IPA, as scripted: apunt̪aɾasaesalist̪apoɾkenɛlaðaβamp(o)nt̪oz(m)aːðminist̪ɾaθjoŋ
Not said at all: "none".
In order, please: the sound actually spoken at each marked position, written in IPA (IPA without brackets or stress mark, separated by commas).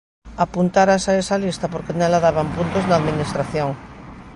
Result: u, n